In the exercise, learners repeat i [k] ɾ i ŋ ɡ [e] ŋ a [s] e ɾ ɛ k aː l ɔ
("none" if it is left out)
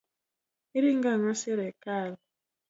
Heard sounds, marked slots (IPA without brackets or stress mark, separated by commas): none, a, s